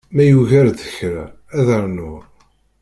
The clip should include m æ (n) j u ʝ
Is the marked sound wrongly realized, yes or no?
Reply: yes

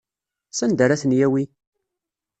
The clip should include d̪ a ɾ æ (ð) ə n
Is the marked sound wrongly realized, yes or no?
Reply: yes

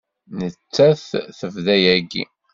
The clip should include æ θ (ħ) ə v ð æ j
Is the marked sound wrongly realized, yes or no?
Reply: yes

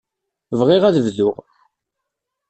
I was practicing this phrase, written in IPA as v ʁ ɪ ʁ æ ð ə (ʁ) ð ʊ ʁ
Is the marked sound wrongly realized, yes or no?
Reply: yes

